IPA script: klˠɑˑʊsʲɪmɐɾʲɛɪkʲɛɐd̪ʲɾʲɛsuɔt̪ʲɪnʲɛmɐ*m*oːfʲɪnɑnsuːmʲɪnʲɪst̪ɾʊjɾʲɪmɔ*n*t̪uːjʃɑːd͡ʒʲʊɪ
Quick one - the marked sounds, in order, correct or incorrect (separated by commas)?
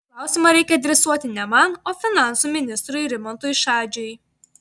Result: incorrect, correct